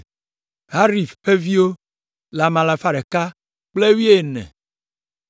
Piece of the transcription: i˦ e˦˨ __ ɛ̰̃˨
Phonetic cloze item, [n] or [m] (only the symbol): n